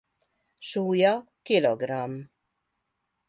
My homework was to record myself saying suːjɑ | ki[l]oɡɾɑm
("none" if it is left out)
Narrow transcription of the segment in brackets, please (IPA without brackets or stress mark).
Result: l